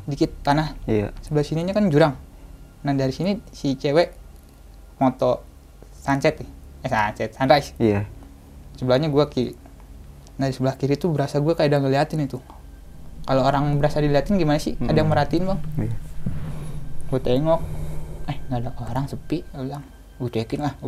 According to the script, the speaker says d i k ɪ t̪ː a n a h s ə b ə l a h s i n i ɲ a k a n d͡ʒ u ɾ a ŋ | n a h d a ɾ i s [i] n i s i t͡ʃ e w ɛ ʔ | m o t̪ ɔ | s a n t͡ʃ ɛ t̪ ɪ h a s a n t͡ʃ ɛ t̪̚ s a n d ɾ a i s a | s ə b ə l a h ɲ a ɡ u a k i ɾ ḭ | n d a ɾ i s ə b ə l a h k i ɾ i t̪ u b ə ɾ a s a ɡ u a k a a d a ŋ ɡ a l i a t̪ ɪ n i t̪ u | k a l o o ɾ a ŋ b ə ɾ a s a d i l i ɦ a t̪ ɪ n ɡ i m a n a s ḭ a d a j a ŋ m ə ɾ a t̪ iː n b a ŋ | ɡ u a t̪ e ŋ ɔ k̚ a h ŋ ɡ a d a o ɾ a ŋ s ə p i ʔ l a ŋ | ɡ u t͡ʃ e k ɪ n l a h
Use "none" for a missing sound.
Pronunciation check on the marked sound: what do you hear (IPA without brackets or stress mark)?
i